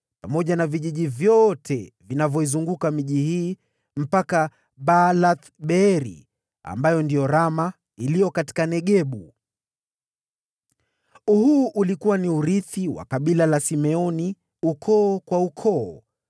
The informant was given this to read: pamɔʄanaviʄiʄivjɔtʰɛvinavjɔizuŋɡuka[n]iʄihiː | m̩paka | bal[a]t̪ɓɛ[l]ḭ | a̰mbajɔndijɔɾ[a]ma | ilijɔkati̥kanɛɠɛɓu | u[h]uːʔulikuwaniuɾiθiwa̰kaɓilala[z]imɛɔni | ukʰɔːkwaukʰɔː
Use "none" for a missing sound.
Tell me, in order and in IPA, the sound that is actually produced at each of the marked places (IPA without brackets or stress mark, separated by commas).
m, a, ɾ, a, h, s